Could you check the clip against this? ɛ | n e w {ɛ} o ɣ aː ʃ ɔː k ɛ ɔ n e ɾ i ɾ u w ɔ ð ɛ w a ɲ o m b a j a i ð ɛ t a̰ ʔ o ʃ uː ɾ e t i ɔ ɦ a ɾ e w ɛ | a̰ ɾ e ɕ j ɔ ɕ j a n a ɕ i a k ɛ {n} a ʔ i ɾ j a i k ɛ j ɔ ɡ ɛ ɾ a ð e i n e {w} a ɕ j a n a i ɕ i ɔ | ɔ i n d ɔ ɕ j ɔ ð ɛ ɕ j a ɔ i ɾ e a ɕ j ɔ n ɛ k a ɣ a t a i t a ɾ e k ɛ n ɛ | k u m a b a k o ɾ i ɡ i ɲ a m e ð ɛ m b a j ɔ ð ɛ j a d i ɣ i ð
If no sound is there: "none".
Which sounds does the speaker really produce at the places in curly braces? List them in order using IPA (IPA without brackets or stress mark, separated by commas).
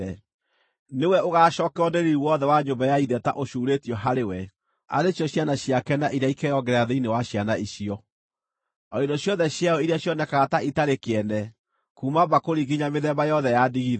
ɛ, n, w